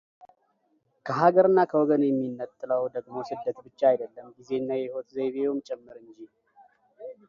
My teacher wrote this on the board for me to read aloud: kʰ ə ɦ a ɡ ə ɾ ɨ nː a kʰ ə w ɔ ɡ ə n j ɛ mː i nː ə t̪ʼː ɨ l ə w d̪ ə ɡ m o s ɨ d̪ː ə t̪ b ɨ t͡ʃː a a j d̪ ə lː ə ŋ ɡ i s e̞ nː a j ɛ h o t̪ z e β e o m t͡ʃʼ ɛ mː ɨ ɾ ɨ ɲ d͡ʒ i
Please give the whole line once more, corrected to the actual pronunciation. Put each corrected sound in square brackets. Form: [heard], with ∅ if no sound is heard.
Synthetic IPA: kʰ ə ɦ a ɡ ə ɾ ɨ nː a kʰ ə w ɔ ɡ ə n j ɛ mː i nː ə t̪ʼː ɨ l ə w d̪ ə ɡ m o s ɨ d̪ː ə t̪ b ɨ t͡ʃː a a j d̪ ə lː ə [m] ɡ i [z] e̞ nː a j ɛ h o t̪ z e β e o m t͡ʃʼ ɛ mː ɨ ɾ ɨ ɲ d͡ʒ i